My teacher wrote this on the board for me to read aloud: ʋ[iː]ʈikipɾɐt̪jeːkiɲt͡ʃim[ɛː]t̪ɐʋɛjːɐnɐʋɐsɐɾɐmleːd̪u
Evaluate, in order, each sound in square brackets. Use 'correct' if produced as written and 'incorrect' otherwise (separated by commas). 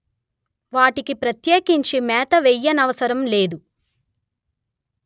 incorrect, correct